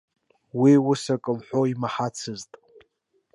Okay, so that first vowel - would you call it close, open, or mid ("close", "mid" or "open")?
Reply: close